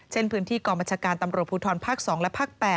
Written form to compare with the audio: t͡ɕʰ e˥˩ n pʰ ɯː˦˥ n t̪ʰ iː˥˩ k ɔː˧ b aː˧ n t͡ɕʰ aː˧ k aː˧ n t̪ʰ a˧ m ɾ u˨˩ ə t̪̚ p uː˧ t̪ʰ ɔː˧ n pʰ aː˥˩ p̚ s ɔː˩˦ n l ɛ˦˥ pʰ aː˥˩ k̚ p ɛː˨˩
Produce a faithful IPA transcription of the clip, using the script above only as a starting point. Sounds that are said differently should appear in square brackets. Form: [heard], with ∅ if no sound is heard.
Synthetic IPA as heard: t͡ɕʰ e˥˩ n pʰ ɯː˦˥ n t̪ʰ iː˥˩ k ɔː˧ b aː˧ n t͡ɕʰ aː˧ k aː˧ n [t̪] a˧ m ɾ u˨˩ ə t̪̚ p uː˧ t̪ʰ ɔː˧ n pʰ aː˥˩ [k̚] s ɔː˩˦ [ŋ] l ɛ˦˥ pʰ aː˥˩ k̚ p ɛː˨˩